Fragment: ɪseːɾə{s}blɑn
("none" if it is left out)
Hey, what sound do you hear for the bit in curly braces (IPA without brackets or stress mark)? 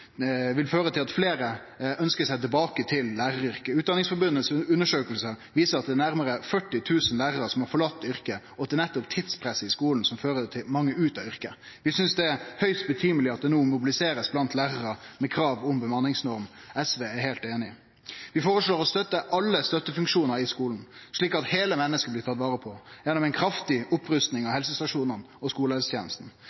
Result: s